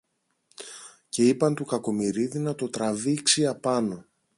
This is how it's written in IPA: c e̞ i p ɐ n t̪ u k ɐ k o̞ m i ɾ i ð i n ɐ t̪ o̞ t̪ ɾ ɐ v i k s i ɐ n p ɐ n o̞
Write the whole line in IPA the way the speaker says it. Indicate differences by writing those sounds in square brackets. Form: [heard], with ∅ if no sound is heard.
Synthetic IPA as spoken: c e̞ i p ɐ n t̪ u k ɐ k o̞ m i ɾ i ð i n ɐ t̪ o̞ t̪ ɾ ɐ v i k s i ɐ [∅] p ɐ n o̞